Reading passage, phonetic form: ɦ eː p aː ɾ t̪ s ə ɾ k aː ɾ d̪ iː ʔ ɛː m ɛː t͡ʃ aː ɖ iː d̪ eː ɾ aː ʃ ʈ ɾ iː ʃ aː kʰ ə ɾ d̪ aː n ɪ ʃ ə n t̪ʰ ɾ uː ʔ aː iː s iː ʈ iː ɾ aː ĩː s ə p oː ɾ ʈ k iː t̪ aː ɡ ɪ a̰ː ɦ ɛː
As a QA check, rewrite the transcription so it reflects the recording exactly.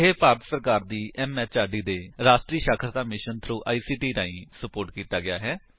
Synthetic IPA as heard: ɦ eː p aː ɾ t̪ s ə ɾ k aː ɾ d̪ iː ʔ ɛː m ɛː t͡ʃ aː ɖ iː d̪ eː ɾ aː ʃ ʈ ɾ iː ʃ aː kʰ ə ɾ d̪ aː m ɪ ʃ ə n t̪ʰ ɾ uː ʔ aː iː s iː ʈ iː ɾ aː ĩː s ə p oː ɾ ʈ k iː t̪ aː ɡ ɪ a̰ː ɦ ɛː